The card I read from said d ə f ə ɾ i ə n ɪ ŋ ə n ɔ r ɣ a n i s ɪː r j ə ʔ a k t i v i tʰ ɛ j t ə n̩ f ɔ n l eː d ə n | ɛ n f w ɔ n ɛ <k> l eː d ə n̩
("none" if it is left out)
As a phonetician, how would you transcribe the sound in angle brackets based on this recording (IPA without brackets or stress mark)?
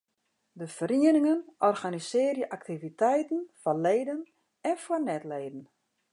t